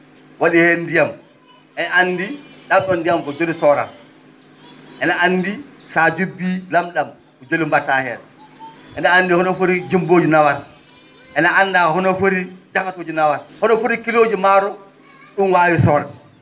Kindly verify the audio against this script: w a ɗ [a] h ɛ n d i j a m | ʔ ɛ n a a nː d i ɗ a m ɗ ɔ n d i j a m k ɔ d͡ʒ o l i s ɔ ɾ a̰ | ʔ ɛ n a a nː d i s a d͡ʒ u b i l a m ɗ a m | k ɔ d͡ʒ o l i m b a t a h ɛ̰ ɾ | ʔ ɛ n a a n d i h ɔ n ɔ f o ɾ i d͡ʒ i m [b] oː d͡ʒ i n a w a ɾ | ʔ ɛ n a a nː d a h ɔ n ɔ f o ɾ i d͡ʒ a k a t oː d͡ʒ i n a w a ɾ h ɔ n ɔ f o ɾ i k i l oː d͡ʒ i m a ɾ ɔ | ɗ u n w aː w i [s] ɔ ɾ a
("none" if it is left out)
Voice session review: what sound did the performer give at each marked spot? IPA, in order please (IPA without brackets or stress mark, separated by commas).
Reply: i, b, s